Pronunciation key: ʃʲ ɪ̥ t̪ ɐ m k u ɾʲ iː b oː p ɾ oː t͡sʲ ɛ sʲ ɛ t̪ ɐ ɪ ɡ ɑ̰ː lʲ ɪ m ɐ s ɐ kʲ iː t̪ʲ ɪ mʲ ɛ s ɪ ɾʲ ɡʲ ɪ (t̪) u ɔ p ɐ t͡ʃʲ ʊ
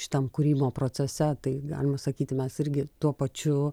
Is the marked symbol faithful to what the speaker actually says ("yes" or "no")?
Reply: yes